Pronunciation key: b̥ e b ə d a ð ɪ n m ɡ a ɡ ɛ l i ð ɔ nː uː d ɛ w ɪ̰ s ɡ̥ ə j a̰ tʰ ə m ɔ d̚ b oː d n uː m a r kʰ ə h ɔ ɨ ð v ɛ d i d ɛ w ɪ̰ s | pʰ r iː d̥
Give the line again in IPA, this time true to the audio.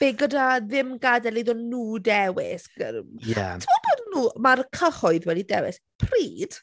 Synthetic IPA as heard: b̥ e ɡ ə d a ð ɪ m ɡ a d ɛ l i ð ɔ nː uː d ɛ w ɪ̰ s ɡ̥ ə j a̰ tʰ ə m ɔ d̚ b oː d n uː m a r kʰ ə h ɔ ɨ ð w ɛ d i d ɛ w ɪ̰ s | pʰ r iː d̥